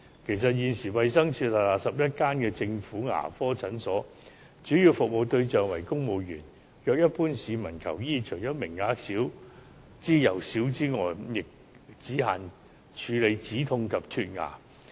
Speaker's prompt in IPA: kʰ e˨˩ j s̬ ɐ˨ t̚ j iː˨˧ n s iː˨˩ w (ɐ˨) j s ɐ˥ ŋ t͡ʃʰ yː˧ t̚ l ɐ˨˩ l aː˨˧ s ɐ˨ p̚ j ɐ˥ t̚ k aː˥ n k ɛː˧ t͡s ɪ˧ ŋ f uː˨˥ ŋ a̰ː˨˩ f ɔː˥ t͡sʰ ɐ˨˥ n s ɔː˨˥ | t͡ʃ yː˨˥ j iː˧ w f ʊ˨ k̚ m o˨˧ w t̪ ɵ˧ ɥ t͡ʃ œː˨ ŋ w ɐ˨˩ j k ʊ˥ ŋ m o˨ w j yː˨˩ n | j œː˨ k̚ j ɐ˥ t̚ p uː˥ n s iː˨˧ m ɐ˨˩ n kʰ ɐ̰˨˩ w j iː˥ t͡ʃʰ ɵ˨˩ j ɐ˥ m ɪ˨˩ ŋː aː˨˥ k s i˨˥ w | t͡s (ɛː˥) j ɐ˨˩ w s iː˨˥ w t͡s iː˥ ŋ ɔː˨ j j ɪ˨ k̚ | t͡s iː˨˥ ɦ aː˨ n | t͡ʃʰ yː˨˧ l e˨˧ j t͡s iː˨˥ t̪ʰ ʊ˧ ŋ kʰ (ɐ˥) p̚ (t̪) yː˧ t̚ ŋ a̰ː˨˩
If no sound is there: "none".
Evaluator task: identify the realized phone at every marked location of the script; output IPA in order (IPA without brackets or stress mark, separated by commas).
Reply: ɐ˨, iː˥, ɐ˨, t̪ʰ